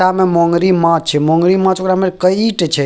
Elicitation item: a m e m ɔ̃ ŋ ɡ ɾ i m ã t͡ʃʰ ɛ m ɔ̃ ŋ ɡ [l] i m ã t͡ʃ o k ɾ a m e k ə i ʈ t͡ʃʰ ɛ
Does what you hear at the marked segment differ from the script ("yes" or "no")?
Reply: yes